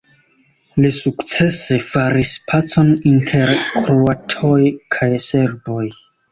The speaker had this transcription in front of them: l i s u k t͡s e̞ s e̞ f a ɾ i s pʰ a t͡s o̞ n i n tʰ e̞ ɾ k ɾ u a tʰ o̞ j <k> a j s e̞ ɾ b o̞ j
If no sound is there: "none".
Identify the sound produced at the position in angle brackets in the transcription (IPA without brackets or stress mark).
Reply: kʰ